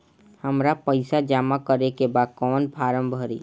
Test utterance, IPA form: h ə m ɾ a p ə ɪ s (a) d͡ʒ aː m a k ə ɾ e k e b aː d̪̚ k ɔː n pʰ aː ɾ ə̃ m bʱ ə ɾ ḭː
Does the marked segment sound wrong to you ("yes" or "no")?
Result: no